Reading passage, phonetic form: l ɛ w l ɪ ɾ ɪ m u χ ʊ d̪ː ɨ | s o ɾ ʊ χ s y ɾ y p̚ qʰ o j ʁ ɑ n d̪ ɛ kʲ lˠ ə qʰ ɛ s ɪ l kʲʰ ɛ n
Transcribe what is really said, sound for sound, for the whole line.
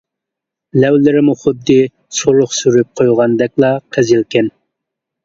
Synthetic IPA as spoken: l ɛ w l ɪ ɾ ɪ m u χ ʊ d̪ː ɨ | s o ɾ ʊ χ s y ɾ y p̚ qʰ o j ʁ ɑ n d̪ ɛ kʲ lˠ ɑ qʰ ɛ z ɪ l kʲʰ ɛ n